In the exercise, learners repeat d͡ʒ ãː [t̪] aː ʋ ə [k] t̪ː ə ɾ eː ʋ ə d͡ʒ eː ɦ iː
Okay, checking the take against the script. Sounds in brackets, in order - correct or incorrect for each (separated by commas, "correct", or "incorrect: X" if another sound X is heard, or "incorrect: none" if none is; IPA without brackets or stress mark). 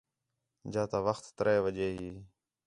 correct, incorrect: x